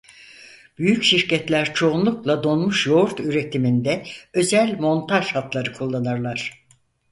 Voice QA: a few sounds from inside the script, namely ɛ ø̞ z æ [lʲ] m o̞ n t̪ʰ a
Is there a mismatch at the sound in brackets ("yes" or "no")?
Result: no